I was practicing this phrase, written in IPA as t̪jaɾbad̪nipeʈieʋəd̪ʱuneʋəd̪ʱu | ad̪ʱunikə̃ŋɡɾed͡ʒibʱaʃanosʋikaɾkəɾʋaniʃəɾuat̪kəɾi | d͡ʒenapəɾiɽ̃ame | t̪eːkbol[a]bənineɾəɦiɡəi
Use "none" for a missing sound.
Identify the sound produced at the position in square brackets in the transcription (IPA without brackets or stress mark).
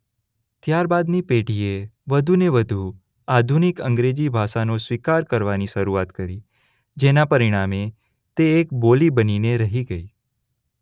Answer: i